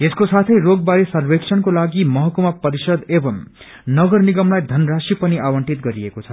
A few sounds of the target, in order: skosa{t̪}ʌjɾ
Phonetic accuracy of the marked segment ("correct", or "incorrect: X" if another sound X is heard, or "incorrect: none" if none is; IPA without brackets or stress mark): incorrect: t̪ʰ